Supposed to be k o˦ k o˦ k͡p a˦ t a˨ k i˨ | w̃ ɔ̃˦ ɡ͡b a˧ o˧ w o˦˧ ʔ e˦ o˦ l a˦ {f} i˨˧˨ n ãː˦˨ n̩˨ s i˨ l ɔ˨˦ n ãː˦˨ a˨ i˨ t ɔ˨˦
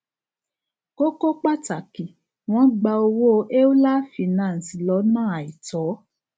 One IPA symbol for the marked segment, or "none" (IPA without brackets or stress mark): f